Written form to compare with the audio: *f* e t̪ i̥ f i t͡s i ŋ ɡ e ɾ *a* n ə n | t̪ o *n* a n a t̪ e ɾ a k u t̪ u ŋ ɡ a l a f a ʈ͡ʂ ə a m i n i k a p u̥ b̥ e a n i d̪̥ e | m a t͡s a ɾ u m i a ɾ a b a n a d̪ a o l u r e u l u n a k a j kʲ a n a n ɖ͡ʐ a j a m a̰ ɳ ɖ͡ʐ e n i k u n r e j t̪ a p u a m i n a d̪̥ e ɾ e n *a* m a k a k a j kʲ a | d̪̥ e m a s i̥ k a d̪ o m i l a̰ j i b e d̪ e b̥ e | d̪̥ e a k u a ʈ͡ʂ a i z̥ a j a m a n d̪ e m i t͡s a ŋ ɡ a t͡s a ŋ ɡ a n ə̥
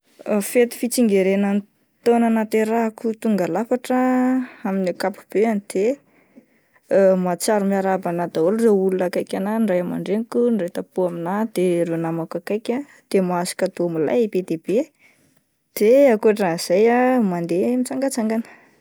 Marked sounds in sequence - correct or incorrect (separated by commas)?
correct, incorrect, correct, correct